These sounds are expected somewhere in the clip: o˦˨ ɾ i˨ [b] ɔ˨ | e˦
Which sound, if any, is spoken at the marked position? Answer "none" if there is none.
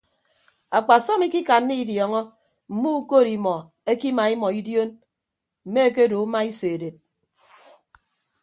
m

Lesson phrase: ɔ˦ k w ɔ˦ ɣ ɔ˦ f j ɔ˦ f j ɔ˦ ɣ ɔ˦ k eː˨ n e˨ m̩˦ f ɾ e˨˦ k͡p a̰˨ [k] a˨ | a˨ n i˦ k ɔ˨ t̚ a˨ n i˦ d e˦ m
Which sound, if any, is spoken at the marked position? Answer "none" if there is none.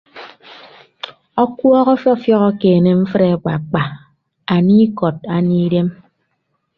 k͡p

